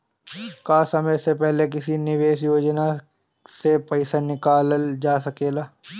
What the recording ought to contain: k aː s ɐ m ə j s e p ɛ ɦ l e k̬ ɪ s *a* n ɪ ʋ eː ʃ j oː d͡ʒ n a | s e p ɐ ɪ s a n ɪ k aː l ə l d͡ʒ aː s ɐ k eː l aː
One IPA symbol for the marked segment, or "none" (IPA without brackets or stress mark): i